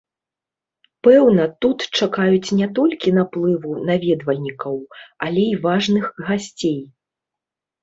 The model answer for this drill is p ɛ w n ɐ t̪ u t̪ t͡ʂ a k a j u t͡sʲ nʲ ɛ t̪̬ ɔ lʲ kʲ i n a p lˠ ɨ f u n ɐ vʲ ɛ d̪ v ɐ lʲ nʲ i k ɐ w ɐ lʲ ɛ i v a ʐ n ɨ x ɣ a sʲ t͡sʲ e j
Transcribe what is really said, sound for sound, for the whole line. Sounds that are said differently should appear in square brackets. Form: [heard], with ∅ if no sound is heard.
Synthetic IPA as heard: p ɛ w n ɐ t̪ u t̪ t͡ʂ a k a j u t͡sʲ nʲ ɛ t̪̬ ɔ lʲ kʲ i n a p lˠ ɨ [v] u n [a] vʲ ɛ d̪ v ɐ lʲ nʲ i k ɐ w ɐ lʲ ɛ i v a ʐ n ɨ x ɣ a sʲ t͡sʲ e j